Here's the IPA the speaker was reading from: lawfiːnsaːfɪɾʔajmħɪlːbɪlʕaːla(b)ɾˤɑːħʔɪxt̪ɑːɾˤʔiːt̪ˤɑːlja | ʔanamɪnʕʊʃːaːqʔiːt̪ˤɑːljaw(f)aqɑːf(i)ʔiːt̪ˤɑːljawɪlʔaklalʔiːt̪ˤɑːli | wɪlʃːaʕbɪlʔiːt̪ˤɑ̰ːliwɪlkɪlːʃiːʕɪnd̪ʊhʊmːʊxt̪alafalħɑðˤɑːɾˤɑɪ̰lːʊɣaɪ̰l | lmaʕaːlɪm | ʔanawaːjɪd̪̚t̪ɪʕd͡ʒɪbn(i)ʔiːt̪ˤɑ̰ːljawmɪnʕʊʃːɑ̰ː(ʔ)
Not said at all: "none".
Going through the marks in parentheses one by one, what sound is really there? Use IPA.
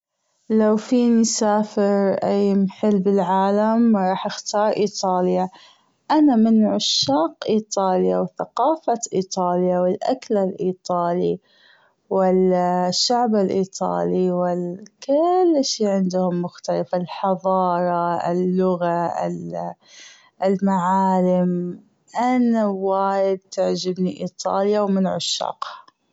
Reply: m, θ, a, i, q

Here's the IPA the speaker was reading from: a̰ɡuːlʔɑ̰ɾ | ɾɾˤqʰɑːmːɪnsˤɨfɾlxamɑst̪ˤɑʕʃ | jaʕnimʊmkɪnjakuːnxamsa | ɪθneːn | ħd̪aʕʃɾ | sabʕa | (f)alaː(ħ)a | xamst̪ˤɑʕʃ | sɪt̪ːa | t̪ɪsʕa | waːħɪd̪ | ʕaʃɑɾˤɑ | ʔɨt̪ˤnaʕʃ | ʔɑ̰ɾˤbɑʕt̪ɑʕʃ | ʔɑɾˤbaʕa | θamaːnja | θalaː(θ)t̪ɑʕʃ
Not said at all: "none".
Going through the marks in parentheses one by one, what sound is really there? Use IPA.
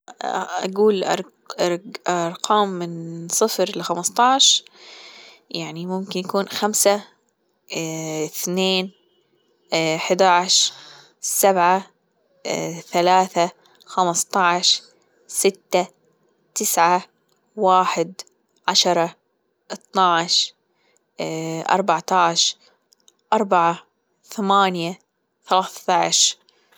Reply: θ, θ, θ

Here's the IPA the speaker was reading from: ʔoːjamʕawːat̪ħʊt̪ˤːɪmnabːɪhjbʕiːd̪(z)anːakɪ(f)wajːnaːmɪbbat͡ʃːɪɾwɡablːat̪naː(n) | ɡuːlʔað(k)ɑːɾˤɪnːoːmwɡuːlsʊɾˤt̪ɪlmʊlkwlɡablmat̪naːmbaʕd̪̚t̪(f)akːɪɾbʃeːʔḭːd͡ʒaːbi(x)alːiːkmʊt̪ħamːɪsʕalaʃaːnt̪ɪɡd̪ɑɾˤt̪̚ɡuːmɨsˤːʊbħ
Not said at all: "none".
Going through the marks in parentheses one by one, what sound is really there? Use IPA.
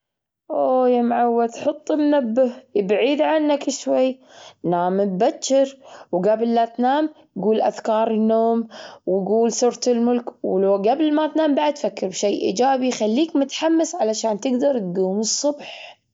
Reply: ʕ, ʃ, m, k, f, x

